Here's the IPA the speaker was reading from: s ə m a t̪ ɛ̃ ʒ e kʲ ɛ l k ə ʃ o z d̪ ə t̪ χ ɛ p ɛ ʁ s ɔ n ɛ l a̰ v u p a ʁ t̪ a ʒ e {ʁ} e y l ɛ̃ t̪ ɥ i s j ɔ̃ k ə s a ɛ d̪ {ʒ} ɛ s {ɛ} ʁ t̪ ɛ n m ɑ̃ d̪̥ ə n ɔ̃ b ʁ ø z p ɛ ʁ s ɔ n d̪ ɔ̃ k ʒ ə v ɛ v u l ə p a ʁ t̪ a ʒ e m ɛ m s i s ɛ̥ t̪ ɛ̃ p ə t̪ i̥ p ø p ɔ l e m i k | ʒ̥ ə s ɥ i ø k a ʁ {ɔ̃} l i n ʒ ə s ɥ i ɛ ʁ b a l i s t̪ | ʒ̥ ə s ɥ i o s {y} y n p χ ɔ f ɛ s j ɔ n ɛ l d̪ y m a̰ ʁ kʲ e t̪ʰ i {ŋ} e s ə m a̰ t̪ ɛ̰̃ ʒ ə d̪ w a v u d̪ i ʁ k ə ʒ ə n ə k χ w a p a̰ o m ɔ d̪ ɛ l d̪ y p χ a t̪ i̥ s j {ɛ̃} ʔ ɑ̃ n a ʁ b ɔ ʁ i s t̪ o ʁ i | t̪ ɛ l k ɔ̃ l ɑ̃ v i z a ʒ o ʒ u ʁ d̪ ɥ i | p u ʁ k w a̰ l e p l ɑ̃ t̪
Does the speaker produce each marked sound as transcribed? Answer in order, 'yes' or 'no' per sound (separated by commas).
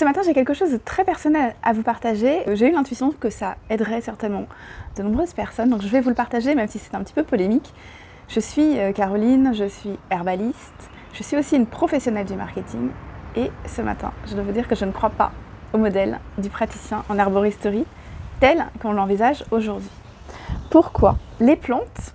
no, no, yes, no, no, yes, yes